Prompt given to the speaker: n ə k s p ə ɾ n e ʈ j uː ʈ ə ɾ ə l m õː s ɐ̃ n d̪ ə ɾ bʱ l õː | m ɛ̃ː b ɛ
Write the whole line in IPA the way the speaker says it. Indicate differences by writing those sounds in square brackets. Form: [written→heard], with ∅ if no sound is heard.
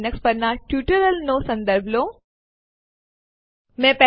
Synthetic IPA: n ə k s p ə ɾ n [e→a] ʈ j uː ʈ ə ɾ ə l [m→n] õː s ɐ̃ n d̪ ə ɾ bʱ l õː | m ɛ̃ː [b→p] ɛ